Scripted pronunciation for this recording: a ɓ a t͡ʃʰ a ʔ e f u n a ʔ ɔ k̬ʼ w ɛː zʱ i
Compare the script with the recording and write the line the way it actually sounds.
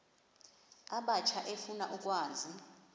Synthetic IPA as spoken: a ɓ a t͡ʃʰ a ʔ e f u n a ʔ u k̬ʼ w aː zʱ i